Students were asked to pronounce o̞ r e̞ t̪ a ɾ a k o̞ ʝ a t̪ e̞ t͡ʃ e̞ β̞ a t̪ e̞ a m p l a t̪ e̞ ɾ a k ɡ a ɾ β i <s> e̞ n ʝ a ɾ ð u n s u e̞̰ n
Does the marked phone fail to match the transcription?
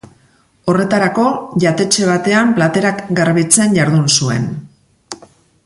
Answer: yes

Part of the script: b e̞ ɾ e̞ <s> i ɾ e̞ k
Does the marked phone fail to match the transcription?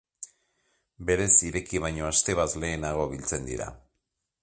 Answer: no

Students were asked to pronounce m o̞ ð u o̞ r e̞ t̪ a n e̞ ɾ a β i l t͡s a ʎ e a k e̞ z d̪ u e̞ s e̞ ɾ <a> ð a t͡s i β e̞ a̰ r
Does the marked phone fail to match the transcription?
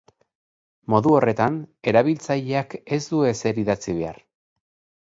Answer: yes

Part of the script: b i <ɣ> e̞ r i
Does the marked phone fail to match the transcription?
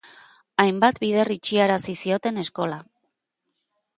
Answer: yes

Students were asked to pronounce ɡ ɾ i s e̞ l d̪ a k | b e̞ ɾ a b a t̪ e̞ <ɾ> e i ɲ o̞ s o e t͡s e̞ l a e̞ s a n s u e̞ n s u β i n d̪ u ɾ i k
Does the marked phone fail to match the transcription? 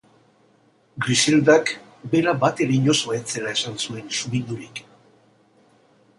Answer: no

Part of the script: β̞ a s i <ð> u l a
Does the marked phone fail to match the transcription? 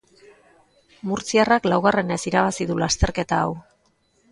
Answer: no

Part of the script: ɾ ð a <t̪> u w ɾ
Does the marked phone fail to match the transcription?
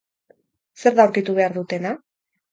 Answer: yes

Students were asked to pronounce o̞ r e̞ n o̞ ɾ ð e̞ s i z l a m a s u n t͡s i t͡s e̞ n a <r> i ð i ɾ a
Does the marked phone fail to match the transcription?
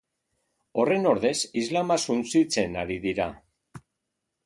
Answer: yes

